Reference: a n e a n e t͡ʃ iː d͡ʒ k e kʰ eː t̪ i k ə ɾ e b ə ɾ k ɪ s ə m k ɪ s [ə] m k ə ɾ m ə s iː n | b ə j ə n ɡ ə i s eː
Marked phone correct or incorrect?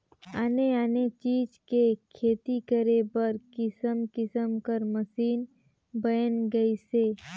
correct